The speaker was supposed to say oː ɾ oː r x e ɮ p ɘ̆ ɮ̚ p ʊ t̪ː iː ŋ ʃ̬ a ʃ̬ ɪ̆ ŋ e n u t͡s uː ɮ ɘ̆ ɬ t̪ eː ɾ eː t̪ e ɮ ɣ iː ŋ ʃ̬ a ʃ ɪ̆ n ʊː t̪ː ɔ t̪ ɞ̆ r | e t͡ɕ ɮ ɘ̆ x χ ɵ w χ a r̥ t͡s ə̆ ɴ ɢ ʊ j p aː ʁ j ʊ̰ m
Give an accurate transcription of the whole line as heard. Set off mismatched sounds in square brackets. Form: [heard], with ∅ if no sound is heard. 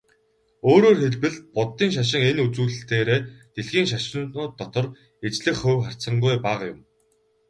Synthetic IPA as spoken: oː ɾ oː r x e ɮ p ɘ̆ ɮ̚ p ʊ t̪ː iː ŋ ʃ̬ a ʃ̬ ɪ̆ ŋ e n u t͡s uː ɮ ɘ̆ ɬ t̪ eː ɾ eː t̪ e ɮ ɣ iː ŋ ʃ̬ a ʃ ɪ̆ n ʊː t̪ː ɔ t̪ ɞ̆ r | e t͡ɕ ɮ ɘ̆ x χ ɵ w χ a r̥ t͡s ə̆ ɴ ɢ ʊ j p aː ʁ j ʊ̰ m